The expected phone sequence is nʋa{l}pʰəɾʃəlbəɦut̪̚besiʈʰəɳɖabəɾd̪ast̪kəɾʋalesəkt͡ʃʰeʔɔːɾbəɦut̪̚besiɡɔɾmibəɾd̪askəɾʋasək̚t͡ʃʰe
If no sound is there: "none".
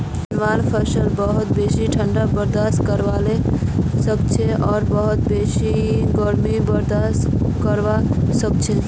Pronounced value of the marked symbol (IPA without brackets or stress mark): l